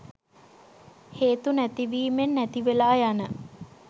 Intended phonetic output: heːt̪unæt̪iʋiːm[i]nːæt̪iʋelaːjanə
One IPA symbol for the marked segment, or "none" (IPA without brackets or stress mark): e